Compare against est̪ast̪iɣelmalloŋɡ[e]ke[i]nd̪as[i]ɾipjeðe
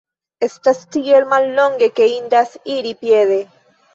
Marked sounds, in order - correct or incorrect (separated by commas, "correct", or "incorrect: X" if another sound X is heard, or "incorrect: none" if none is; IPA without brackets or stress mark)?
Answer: correct, correct, correct